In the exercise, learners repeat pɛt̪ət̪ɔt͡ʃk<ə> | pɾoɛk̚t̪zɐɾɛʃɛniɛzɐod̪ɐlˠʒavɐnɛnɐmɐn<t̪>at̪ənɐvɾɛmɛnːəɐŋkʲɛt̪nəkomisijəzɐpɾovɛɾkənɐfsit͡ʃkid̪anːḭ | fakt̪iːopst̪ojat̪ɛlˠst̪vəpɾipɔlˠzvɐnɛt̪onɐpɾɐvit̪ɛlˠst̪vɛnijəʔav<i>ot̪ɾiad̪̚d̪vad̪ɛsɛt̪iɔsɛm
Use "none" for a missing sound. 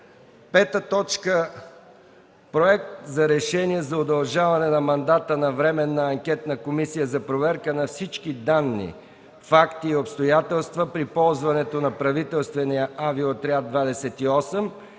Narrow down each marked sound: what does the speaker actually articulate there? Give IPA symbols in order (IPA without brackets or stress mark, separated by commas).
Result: ə, d̪, i